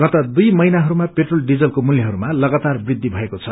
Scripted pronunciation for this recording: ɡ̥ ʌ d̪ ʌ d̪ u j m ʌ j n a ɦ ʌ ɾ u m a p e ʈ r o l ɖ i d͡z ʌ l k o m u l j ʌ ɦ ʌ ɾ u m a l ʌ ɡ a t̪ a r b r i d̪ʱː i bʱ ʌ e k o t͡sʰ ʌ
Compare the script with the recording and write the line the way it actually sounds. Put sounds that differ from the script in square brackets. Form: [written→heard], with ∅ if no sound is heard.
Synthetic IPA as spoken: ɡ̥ ʌ [d̪→t̪] ʌ d̪ u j m ʌ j n a ɦ ʌ ɾ u m a p e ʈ r o l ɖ i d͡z ʌ l k o m u l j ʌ ɦ ʌ ɾ u m a l ʌ ɡ a t̪ a r b r i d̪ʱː i bʱ ʌ e k o t͡sʰ ʌ